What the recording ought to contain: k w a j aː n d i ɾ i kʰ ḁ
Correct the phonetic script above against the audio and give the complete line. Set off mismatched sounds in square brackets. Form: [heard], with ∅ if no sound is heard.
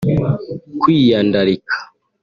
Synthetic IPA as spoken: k w [i] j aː n d [a] ɾ i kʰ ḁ

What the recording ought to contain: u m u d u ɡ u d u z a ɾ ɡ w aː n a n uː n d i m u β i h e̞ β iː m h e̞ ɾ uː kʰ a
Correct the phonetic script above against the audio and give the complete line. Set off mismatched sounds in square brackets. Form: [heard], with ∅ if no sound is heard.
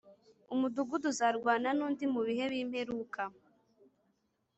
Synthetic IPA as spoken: u m u d u ɡ u d u z a ɾ ɡ w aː n a n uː n d i m u β i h e̞ β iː m h e̞ ɾ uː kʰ a

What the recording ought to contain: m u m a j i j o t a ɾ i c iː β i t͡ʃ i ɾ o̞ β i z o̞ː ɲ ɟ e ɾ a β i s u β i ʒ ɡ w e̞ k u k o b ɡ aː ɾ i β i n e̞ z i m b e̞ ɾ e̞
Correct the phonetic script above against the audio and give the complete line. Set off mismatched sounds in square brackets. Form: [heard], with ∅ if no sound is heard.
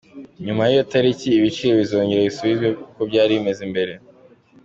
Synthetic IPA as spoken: [ɲ] u m a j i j o t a ɾ i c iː β i t͡ʃ i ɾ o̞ β i z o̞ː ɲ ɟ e ɾ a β i s u β i [z] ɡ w e̞ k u k o b [ɟ] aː ɾ i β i [m] e̞ z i m b e̞ ɾ e̞

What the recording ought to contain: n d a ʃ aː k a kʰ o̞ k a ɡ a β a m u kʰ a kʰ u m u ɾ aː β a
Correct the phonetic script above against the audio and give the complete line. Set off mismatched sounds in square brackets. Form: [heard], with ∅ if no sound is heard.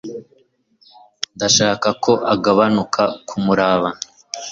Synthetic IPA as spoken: n d a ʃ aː k a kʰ o̞ [ʔ] a ɡ a β a [n] u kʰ a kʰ u m u ɾ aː β a

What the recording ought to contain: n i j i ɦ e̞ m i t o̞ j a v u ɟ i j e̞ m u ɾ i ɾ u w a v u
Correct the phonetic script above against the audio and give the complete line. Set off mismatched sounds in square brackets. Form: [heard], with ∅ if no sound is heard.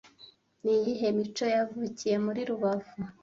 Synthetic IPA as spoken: n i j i ɦ e̞ m i [t͡ʃ] o̞ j a v u [c] i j e̞ m u ɾ i ɾ u [β] a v u

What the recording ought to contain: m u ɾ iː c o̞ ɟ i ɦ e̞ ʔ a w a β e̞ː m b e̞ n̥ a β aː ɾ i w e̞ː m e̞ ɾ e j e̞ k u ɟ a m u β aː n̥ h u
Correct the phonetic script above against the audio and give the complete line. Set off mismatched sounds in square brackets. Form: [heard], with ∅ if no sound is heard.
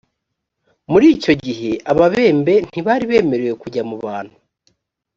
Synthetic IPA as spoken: m u ɾ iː c o̞ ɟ i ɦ e̞ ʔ a [β] a β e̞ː m b e̞ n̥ [i] β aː ɾ i [β] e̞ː m e̞ ɾ e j e̞ k u ɟ a m u β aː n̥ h u

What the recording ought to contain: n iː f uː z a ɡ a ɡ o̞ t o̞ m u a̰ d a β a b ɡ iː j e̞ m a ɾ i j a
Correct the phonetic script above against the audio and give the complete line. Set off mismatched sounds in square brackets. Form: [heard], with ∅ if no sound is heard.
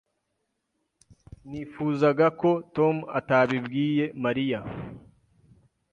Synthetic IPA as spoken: n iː f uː z a ɡ a [k] o̞ t o̞ m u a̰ [t] a β [i] b ɡ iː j e̞ m a ɾ i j a

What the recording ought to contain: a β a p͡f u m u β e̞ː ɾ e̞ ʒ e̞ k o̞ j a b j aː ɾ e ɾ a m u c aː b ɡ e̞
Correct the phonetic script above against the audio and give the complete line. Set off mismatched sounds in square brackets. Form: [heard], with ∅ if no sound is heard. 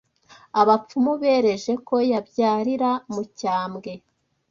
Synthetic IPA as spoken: a β a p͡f u m u β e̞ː ɾ e̞ ʒ e̞ k o̞ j a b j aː ɾ [i] ɾ a m u c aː [m] ɡ e̞

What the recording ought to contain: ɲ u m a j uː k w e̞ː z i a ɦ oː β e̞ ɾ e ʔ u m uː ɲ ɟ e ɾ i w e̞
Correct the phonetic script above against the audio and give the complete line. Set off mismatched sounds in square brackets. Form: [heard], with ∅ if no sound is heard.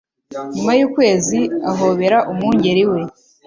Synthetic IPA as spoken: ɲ u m a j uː k w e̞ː z i a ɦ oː β e̞ ɾ [a] ʔ u m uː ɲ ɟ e ɾ i w e̞

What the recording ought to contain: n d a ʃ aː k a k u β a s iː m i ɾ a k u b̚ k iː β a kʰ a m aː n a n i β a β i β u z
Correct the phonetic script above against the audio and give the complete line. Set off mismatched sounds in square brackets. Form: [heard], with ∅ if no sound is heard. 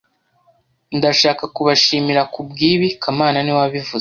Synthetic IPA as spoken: n d a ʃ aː k a k u β a [ʃ] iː m i ɾ a k u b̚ [ɡ] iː β [i] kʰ a m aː n a n i [w] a β i [v] u z

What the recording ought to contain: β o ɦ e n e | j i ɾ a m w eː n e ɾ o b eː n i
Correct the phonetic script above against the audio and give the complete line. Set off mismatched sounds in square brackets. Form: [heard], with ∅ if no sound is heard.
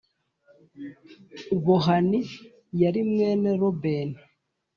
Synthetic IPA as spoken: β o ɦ [a] n [i] | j [a] ɾ [i] m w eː n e ɾ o b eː n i

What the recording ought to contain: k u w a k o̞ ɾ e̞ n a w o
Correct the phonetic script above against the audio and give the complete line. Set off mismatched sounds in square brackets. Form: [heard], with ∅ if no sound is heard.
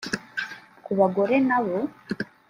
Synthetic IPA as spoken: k u [β] a [ɡ] o̞ ɾ e̞ n a [β] o

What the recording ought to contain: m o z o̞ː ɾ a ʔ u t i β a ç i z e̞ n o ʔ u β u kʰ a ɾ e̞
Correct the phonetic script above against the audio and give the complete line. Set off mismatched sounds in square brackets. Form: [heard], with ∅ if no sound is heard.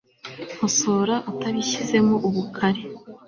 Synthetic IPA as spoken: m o [s] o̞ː ɾ a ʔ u t [a] β [i] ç i z e̞ [m] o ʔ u β u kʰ a ɾ e̞

